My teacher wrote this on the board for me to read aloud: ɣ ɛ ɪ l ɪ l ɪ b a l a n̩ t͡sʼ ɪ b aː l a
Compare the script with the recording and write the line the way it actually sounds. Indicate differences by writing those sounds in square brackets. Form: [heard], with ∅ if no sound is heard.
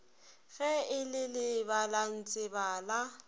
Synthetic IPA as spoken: ɣ ɛ ɪ l ɪ l ɪ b a l a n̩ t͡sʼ ɪ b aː l a